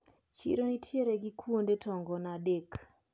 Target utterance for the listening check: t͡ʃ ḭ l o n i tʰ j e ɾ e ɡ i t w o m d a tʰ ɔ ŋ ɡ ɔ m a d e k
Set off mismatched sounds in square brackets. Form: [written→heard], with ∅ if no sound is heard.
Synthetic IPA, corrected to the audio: t͡ʃ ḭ [l→ɾ] o n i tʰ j e ɾ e ɡ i [t→k] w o [m→n] d [a→e] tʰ ɔ ŋ ɡ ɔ [m→n] a d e k